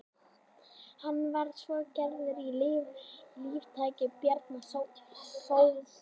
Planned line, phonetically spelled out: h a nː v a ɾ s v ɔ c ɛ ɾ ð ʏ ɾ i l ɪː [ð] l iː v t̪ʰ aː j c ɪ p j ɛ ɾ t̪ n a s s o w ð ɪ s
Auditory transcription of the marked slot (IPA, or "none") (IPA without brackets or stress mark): v